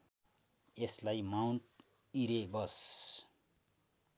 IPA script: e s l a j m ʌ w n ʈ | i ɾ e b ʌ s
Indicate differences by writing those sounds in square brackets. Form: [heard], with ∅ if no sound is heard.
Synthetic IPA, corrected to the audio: e s l a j m [a] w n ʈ | i ɾ e b ʌ s

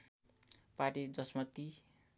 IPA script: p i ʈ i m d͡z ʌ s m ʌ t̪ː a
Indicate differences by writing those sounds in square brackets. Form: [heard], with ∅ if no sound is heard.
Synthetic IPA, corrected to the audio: p [a] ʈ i [∅] d͡z ʌ s m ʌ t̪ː [i]

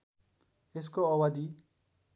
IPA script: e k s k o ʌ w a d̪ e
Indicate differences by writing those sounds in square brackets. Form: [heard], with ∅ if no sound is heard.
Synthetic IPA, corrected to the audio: e [∅] s k o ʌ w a d̪ [i]

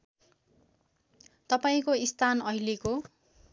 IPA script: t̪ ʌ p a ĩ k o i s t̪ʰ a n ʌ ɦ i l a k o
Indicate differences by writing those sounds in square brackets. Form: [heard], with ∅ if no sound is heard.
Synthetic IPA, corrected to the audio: t̪ ʌ p a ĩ k o i s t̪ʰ a n ʌ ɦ i l [e] k o

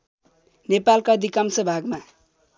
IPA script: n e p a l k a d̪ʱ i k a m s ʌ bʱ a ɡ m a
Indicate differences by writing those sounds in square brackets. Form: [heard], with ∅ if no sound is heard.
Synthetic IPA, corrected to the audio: n e p a l k a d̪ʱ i k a m s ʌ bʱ a ɡ m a

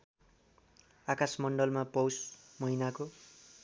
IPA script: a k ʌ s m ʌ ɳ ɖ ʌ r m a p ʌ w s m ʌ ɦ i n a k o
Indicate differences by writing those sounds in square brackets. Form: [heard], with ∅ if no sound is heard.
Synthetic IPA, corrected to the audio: a k [a] s m ʌ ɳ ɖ ʌ [l] m a p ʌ w s m ʌ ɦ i n a k o

